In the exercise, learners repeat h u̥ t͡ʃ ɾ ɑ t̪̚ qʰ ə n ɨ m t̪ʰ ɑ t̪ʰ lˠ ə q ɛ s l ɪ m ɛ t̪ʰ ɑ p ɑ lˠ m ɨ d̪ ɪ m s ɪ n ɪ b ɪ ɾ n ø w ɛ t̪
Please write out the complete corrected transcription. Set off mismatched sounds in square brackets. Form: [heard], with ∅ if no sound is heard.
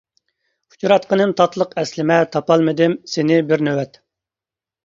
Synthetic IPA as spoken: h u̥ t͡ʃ ɾ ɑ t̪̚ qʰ ə n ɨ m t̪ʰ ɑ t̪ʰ lˠ ə q ɛ s l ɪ m ɛ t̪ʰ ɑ p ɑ lˠ m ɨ d̪ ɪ m s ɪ n ɪ b ɪ ɾ n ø w ɛ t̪